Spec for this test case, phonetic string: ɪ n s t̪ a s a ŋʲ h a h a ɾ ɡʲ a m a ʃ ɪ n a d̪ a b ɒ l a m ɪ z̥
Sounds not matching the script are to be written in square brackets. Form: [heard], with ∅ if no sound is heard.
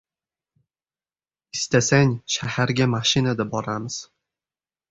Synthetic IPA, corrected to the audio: ɪ [∅] s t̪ a s a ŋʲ [ʃ] a h a ɾ ɡʲ a m a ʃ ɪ n a d̪ a b ɒ [ɾ] a m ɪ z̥